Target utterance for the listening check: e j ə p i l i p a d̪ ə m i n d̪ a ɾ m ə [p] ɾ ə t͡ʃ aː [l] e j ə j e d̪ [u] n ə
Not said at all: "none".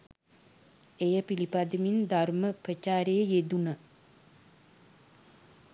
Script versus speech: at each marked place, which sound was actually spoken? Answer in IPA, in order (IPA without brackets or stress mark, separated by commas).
p, ɾ, u